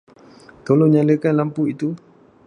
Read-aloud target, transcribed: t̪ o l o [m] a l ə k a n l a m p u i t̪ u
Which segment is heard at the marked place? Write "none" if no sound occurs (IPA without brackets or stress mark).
ɲ